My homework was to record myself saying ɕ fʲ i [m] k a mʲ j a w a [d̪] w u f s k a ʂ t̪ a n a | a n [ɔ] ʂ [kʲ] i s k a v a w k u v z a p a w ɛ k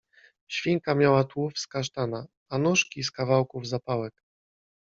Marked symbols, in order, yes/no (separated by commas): no, no, no, yes